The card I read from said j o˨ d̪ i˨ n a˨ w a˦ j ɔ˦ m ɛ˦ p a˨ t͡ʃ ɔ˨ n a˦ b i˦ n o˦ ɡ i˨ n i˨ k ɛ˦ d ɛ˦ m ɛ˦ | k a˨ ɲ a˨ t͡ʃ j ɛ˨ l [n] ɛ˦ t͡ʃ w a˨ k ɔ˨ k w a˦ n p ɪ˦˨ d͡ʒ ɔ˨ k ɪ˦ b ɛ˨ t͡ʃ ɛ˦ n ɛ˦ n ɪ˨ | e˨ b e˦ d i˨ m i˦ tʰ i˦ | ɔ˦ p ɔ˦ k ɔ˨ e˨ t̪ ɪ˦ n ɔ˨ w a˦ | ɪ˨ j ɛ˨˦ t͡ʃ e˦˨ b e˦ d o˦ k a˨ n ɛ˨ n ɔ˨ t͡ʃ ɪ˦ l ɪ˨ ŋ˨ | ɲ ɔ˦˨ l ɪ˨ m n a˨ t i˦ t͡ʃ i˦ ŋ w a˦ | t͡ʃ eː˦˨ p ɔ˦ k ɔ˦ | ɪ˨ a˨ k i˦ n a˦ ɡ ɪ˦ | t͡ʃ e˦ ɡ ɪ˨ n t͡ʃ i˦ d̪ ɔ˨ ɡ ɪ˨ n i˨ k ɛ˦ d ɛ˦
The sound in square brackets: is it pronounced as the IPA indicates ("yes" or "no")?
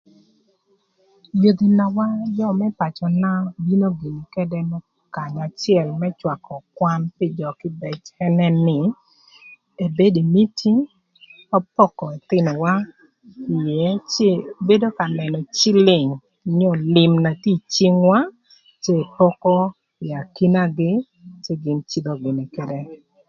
no